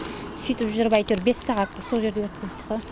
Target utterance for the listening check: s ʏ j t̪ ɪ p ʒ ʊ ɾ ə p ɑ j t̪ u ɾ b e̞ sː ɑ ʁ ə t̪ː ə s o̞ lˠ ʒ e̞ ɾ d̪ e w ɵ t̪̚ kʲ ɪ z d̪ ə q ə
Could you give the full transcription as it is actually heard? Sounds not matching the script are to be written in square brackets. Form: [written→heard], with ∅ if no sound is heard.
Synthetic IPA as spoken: s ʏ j t̪ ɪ p ʒ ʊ ɾ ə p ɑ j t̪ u ɾ b e̞ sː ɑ ʁ [ə→ɑ] t̪ː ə s o̞ lˠ ʒ e̞ ɾ d̪ e w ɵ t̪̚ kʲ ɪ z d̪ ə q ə